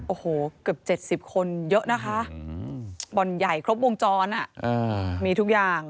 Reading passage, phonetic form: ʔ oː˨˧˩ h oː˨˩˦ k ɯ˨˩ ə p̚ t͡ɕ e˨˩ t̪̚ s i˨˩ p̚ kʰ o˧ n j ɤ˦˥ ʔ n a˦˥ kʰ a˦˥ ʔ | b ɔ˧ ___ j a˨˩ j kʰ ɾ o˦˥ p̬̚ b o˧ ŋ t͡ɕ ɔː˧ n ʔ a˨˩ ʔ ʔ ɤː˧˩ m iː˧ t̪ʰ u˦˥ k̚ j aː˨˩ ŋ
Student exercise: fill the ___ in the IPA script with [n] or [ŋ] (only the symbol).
n